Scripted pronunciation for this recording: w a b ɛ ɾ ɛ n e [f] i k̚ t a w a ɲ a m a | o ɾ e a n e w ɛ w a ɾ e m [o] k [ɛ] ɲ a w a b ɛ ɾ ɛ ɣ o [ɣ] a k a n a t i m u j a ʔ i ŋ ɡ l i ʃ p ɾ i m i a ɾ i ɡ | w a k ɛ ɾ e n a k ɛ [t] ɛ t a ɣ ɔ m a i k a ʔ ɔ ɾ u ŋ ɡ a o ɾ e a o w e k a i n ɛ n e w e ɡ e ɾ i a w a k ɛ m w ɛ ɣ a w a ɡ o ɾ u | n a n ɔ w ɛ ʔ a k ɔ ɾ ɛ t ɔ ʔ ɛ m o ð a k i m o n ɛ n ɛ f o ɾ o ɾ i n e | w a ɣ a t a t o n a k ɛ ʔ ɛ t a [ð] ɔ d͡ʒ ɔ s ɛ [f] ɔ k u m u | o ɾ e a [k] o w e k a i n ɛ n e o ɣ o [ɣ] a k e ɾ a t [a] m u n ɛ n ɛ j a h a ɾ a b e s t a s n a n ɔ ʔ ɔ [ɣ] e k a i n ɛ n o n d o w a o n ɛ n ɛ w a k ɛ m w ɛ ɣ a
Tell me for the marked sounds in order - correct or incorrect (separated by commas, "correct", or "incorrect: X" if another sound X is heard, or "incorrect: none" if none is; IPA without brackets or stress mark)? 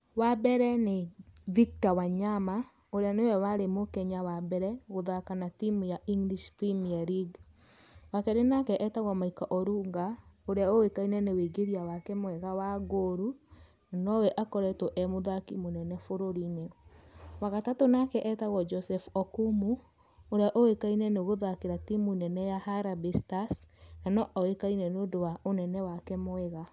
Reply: incorrect: v, correct, correct, incorrect: ð, incorrect: ʔ, incorrect: ɣ, correct, incorrect: ʔ, incorrect: ð, incorrect: i, incorrect: w